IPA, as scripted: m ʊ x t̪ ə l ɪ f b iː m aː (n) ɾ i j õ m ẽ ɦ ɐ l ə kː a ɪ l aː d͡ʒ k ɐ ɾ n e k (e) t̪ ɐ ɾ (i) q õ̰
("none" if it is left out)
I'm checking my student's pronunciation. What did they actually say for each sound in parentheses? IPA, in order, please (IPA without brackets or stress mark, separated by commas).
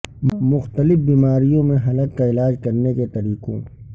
none, e, iː